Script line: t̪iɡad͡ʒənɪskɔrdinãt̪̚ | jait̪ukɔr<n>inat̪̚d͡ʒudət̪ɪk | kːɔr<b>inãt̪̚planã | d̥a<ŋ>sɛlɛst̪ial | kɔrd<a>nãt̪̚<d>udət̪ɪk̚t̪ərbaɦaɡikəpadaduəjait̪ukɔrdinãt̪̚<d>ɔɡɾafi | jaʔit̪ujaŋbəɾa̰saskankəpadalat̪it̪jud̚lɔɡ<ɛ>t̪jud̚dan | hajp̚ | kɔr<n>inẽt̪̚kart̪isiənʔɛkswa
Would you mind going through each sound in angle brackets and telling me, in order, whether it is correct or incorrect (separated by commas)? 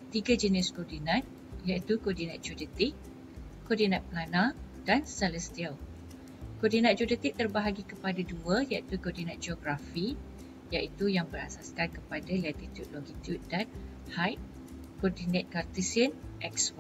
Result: incorrect, incorrect, incorrect, incorrect, incorrect, incorrect, incorrect, incorrect